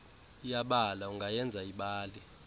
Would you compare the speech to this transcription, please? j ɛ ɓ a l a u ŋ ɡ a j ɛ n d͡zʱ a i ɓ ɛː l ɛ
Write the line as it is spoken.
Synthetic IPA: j a ɓ a l a u ŋ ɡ a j ɛ n d͡zʱ a i ɓ aː l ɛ